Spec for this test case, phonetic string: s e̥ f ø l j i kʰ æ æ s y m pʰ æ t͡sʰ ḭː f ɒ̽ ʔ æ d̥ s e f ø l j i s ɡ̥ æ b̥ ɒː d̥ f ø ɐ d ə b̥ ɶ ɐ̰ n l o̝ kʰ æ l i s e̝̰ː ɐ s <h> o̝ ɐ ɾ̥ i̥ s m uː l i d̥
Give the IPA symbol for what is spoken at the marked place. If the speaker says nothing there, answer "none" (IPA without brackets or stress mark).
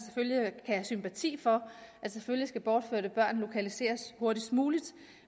h